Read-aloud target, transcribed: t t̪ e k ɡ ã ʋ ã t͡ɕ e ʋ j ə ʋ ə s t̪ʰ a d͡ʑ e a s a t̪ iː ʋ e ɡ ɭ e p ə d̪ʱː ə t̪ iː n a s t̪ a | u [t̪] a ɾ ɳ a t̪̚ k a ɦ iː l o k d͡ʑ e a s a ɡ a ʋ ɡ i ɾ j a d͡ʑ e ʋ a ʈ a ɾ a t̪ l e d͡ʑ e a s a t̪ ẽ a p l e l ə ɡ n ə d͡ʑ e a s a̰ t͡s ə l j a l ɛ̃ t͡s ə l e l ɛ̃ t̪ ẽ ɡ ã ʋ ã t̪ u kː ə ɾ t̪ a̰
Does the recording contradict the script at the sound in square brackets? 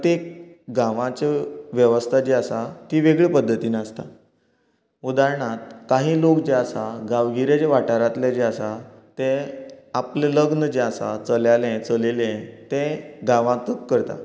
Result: yes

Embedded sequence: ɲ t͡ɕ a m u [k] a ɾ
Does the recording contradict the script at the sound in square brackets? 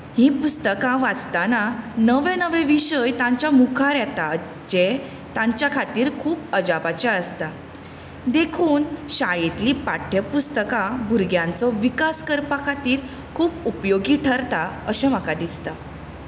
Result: yes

